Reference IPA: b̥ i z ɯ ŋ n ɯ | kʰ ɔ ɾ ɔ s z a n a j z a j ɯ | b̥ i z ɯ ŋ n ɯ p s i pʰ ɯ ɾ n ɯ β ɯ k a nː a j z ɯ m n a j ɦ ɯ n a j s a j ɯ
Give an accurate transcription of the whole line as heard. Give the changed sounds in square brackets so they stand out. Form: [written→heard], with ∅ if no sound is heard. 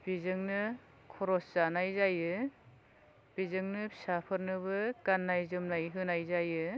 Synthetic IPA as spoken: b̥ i z ɯ ŋ n ɯ | kʰ ɔ ɾ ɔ s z a n a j z a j ɯ | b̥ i z ɯ ŋ n ɯ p s [i→a] pʰ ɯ ɾ n ɯ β ɯ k a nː a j z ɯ m n a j ɦ ɯ n a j [s→z] a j ɯ